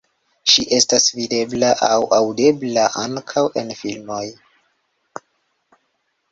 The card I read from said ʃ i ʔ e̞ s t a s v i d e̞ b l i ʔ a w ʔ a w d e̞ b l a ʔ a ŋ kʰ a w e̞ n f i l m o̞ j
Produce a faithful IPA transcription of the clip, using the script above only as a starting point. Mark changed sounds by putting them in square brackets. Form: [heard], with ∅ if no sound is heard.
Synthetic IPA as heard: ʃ i ʔ e̞ s t a s v i d e̞ b l [a] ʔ a w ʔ a w d e̞ b l a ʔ a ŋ kʰ a w e̞ n f i l m o̞ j

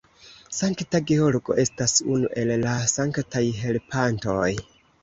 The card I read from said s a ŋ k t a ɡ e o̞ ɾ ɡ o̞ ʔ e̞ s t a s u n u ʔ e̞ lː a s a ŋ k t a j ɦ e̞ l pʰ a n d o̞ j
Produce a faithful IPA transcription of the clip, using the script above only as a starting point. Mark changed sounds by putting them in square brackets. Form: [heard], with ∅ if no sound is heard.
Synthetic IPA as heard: s a ŋ k t a ɡ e o̞ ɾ ɡ o̞ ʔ e̞ s t a s u n u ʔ e̞ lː a s a ŋ k t a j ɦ e̞ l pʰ a n [t] o̞ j

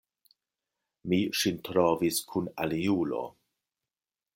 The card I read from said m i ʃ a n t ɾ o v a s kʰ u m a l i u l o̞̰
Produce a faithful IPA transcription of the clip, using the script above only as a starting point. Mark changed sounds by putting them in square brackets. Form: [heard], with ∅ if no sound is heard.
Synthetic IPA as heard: m i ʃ [i] n t ɾ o v [i] s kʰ u [n] a l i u l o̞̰

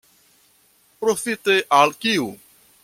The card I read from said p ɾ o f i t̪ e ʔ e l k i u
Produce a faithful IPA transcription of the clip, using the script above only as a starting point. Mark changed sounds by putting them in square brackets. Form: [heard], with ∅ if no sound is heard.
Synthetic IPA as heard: p ɾ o f i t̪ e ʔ [a] l k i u

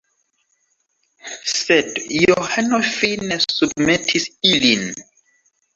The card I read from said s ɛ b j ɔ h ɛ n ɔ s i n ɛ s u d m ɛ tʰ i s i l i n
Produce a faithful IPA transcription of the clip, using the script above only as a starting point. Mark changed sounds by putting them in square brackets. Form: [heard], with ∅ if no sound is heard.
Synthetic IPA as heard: s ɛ [d] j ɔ h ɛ n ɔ [f] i n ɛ s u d m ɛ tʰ i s i l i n

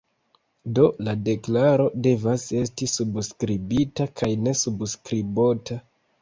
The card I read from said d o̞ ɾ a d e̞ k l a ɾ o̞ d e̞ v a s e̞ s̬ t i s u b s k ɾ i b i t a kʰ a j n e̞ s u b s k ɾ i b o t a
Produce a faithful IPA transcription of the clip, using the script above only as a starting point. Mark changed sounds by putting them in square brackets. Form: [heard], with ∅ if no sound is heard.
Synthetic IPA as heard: d o̞ [l] a d e̞ k l a ɾ o̞ d e̞ v a s e̞ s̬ t i s u b s k ɾ i b i t a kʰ a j n e̞ s u b s k ɾ i b o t a

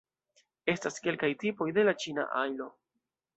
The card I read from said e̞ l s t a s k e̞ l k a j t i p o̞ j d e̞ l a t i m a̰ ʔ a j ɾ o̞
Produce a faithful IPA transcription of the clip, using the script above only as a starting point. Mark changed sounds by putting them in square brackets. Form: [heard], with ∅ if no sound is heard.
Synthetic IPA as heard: e̞ [∅] s t a s k e̞ l k a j t i p o̞ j d e̞ l a [t͡ʃ] i [n] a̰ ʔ a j [l] o̞

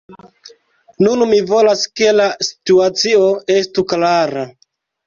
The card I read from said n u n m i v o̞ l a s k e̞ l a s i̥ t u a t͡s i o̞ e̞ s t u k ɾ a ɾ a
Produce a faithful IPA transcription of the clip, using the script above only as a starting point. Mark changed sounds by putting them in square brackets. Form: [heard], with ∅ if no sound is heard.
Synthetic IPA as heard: n u n m i v o̞ l a s k e̞ l a s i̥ t u a t͡s i o̞ e̞ s t u k [l] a ɾ a

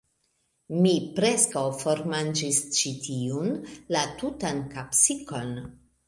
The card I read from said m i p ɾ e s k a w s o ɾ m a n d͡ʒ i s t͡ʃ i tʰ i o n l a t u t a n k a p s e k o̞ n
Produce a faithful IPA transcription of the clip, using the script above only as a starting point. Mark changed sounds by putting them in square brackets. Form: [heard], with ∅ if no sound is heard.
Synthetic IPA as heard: m i p ɾ e s k a w [f] o ɾ m a n d͡ʒ i s t͡ʃ i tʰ i [u] n l a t u t a n k a p s [i] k o̞ n

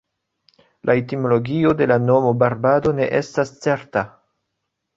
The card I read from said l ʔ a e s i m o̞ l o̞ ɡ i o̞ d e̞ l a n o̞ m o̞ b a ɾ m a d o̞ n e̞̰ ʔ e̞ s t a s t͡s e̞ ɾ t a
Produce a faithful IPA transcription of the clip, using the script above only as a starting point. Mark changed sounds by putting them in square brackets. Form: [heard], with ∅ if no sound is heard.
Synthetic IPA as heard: l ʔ a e [t] i m o̞ l o̞ ɡ i o̞ d e̞ l a n o̞ m o̞ b a ɾ [b] a d o̞ n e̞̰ ʔ e̞ s t a s t͡s e̞ ɾ t a

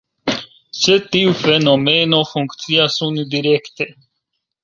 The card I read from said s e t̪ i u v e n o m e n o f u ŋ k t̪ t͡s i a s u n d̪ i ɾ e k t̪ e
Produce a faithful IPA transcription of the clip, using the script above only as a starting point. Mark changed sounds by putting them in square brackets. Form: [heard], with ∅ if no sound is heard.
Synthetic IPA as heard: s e t̪ i u [f] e n o m e n o f u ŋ k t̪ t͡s i a s u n d̪ i ɾ e k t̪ e

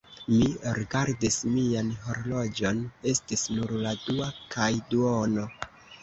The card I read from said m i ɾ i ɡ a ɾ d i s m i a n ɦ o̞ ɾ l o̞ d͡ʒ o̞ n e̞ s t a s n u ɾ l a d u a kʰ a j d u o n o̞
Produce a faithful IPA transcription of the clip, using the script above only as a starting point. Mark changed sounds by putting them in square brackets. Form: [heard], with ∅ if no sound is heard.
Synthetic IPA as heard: m i ɾ i ɡ a ɾ d i s m i a n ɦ o̞ ɾ l o̞ d͡ʒ o̞ n e̞ s t [i] s n u ɾ l a d u a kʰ a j d u o n o̞

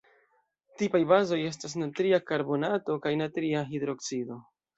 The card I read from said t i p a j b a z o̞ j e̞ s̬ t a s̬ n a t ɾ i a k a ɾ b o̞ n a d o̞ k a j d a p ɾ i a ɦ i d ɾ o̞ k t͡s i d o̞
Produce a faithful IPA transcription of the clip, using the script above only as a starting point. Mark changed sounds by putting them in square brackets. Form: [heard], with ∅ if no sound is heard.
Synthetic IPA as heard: t i p a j b a z o̞ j e̞ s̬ t a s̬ n a t ɾ i a k a ɾ b o̞ n a [t] o̞ k a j [n] a [t] ɾ i a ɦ i d ɾ o̞ k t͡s i d o̞

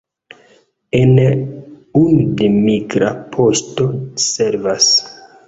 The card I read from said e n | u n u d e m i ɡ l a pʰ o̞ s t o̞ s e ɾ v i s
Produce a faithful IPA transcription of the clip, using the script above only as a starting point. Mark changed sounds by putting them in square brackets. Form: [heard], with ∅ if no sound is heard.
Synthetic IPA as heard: e n | u n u d e m i ɡ [ɾ] a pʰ o̞ s t o̞ s e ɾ v [a] s

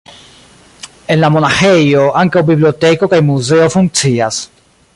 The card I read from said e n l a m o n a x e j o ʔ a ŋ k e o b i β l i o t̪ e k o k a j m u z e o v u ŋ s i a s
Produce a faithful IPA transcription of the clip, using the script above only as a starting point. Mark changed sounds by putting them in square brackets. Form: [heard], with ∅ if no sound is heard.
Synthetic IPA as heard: e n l a m o n a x e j o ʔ a ŋ k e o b i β l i o t̪ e k o k a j m u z e o [f] u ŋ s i a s

